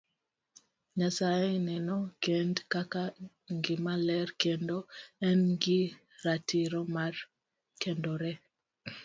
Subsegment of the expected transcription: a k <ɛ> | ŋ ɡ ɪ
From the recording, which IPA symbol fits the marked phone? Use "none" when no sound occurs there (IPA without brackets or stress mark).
a